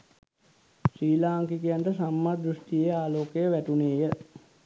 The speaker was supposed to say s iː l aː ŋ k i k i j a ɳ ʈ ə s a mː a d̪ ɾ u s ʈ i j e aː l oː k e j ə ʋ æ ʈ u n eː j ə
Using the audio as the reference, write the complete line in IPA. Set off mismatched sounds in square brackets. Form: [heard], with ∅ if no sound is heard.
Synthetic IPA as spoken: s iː l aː ŋ k i k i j a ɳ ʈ ə s a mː a d̪ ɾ u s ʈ i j e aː l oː k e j ə ʋ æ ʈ u n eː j ə